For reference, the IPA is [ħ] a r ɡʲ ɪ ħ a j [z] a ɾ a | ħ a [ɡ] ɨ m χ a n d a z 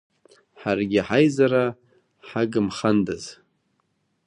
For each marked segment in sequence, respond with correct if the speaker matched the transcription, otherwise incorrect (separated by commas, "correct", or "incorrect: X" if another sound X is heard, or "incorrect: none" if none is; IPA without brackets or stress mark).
correct, correct, correct